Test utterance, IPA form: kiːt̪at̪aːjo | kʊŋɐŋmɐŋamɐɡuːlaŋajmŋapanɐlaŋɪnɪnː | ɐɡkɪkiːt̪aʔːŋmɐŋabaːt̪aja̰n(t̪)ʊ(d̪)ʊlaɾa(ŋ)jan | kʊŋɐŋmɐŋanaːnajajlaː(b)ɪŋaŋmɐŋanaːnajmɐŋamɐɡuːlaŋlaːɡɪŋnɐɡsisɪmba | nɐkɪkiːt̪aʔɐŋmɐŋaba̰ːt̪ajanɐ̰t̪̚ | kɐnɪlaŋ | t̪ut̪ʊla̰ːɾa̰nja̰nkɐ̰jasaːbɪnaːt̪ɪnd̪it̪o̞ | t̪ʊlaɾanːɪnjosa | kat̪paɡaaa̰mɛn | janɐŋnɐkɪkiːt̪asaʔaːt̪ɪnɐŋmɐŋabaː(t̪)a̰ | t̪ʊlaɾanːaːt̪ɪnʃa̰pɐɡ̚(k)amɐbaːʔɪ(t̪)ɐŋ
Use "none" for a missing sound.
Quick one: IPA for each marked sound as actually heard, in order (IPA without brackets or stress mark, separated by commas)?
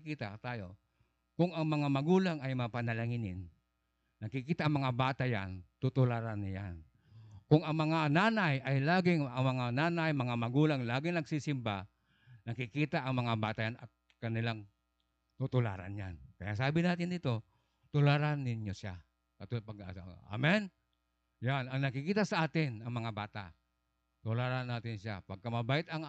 t̪, t̪, n, ɡ, t̪, k, t̪